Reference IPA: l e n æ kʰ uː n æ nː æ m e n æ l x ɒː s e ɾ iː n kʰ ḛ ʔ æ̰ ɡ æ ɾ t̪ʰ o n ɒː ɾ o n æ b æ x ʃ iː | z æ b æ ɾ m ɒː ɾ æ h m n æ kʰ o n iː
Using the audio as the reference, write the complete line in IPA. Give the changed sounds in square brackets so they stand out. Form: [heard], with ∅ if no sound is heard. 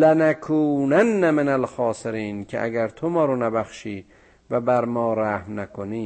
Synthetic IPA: l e n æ kʰ uː n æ nː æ m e n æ l x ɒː s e ɾ iː n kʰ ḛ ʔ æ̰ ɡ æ ɾ t̪ʰ o [m] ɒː ɾ o n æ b æ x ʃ iː | [v] æ b æ ɾ m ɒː ɾ æ h m n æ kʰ o n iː